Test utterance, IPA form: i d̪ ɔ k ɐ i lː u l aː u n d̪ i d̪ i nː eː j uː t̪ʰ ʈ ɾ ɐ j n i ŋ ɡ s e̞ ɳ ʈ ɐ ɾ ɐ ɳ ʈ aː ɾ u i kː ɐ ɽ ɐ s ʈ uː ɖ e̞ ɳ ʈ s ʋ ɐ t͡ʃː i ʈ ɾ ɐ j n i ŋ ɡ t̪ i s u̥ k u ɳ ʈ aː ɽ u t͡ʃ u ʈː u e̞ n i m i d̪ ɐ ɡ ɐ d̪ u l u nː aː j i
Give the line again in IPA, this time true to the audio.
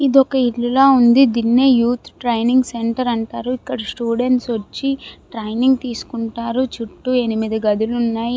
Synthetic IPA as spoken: i d̪ ɔ k ɐ i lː u l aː u n d̪ i d̪ i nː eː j uː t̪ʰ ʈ ɾ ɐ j n i ŋ ɡ s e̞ ɳ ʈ ɐ ɾ ɐ ɳ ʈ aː ɾ u i kː ɐ ɽ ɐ s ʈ uː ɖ e̞ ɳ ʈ s ʋ ɐ t͡ʃː i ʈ ɾ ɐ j n i ŋ ɡ t̪ iː s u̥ k u ɳ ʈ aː ɾ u t͡ʃ u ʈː u e̞ n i m i d̪ ɐ ɡ ɐ d̪ u l u nː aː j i